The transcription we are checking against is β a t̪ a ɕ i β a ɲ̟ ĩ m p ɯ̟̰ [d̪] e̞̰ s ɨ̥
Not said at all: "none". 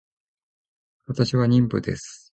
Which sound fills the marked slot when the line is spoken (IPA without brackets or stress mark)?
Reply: d̪